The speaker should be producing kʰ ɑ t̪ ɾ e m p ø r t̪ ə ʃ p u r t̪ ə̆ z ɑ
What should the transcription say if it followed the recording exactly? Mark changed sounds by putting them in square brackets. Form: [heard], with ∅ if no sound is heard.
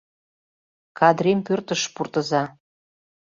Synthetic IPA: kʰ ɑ [d̪] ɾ e m p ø r t̪ ə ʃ p u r t̪ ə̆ z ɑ